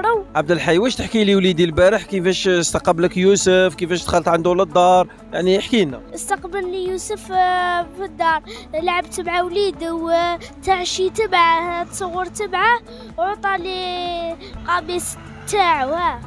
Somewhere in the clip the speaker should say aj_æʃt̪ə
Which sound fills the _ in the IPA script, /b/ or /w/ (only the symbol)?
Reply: w